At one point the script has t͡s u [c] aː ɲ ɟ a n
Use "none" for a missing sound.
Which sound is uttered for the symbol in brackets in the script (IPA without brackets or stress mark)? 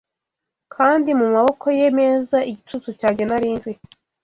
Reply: c